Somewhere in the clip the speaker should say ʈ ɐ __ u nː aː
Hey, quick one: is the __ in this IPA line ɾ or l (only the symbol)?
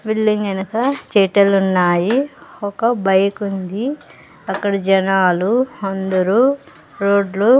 l